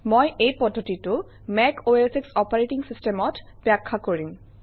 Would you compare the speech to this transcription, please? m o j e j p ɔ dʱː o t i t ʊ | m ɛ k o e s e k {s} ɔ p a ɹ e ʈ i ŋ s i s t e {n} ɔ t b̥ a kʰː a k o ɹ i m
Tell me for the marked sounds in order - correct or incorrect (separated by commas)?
correct, incorrect